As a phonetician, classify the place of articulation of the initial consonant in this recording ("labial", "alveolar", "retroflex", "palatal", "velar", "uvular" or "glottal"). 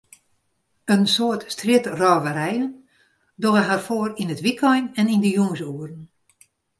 alveolar